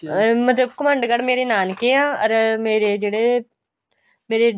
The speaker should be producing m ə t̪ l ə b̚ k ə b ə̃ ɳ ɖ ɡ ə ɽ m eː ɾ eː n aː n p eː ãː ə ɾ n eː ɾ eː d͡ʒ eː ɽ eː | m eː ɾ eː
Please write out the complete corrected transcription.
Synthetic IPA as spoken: m ə t̪ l ə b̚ k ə m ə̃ ɳ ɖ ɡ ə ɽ m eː ɾ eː n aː n k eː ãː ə ɾ m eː ɾ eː d͡ʒ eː ɽ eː | m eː ɾ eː